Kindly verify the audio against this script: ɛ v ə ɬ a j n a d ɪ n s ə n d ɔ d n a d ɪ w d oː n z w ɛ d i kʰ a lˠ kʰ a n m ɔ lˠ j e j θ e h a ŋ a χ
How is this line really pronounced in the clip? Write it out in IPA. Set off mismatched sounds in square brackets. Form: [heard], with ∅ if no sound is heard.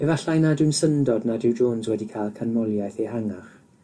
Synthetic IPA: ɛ v [a] ɬ a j n a d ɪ n s ə n d ɔ d n a d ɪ w [d͡ʒ] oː n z w ɛ d i kʰ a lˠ kʰ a n m ɔ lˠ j [a] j θ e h a ŋ a χ